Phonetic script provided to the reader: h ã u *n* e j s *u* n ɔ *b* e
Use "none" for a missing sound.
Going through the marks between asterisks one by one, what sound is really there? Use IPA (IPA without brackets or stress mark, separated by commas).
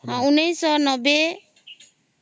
n, ɔ, b